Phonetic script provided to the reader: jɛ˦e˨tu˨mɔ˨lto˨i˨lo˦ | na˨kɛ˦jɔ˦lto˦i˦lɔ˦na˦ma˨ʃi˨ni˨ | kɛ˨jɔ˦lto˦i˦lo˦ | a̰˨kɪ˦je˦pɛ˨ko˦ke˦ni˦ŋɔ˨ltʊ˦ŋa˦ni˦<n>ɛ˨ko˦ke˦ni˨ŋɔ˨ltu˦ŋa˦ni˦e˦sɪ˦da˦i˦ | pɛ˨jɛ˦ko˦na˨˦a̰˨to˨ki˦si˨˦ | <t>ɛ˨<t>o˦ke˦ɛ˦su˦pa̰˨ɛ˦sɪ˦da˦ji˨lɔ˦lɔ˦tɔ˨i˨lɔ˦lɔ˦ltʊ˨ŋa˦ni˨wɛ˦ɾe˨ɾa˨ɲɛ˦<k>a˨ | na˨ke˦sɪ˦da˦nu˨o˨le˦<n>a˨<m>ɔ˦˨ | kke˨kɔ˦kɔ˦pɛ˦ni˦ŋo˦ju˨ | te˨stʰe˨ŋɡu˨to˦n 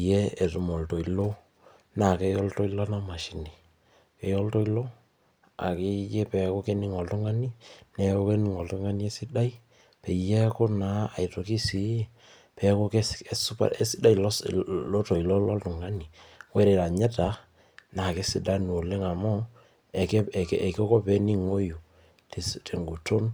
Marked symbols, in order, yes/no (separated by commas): yes, no, no, no, no, yes